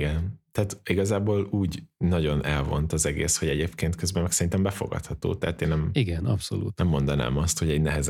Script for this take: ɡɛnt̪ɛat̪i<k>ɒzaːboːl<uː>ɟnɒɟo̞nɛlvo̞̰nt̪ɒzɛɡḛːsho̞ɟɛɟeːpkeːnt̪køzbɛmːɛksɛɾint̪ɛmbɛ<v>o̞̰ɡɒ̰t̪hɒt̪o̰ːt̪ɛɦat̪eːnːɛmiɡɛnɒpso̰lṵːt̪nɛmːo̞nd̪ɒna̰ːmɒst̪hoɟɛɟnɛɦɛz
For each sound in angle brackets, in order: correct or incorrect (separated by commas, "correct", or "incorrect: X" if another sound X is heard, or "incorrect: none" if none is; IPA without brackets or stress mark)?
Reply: incorrect: ɡ, correct, incorrect: f